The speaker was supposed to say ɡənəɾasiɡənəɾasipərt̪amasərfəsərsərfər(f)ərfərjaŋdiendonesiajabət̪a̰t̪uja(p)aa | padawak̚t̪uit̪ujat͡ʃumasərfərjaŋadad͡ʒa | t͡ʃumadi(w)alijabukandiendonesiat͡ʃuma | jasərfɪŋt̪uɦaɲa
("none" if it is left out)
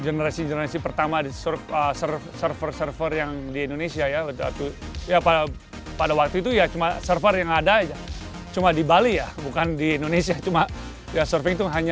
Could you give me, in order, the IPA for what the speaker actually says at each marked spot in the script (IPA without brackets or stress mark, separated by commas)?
s, p, b